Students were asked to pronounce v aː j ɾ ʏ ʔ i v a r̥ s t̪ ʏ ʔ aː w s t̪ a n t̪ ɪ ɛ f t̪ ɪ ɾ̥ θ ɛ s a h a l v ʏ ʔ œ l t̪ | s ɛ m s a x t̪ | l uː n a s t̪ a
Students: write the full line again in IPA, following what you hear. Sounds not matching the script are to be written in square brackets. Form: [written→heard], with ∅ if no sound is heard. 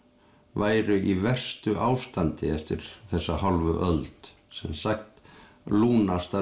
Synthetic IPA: v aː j ɾ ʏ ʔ i v [a→ɛ] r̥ s t̪ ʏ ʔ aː w s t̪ a n t̪ ɪ ɛ f t̪ ɪ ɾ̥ θ ɛ [s→sː] a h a l v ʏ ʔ œ l t̪ | s ɛ m s a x t̪ | l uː n a s t̪ a